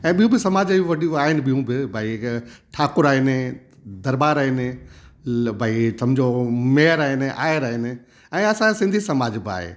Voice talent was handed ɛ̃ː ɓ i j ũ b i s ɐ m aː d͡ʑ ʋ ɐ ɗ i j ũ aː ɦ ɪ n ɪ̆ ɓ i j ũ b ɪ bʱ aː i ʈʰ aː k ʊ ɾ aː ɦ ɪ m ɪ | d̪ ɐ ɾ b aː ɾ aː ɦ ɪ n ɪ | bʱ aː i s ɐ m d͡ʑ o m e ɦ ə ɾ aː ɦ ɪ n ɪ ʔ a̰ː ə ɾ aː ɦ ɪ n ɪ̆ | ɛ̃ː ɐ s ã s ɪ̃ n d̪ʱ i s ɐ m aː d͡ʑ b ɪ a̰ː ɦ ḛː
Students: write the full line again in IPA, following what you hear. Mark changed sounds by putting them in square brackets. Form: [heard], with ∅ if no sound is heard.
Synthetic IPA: ɛ̃ː ɓ i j ũ b [ɪ] s ɐ m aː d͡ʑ ʋ ɐ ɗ i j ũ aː ɦ ɪ n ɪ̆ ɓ i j ũ b ɪ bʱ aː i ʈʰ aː k ʊ ɾ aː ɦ ɪ [n] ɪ | d̪ ɐ ɾ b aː ɾ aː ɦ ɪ n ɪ | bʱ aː i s ɐ m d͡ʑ o m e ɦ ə ɾ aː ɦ ɪ n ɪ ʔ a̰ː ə ɾ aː ɦ ɪ n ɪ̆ | ɛ̃ː ɐ s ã s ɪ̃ n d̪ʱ i s ɐ m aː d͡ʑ b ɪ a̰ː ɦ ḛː